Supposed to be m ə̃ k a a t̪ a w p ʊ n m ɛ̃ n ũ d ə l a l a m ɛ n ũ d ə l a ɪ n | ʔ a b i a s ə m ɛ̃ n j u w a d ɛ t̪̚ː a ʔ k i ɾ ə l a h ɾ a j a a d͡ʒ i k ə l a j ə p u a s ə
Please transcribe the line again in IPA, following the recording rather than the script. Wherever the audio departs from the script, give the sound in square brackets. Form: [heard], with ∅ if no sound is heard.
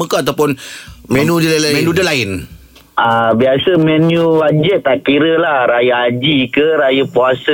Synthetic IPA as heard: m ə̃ k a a t̪ a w p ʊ n m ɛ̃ n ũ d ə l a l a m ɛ n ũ d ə l a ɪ n | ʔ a b i a s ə m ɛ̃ n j u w a [d͡ʒ] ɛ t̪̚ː a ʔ k i ɾ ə l a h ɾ a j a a d͡ʒ i k ə [ɾ] a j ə p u a s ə